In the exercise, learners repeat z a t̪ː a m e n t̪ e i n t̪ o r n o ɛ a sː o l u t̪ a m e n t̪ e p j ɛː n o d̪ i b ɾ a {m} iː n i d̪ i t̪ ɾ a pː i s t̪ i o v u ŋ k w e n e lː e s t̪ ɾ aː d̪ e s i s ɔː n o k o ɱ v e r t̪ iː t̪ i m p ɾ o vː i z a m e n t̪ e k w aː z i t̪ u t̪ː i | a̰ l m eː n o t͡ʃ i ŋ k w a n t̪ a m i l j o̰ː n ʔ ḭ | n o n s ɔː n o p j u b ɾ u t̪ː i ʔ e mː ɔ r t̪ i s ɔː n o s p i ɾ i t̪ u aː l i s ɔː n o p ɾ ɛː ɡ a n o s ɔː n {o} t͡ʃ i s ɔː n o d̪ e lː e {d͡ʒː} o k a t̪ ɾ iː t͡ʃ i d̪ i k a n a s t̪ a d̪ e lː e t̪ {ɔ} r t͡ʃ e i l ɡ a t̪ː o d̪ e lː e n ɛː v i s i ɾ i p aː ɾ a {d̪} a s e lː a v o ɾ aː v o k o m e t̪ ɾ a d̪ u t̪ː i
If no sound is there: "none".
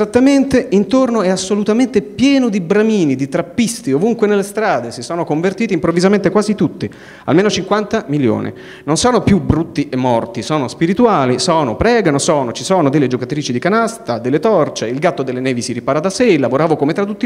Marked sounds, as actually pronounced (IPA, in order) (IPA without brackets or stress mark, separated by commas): m, o, d͡ʒ, ɔ, d̪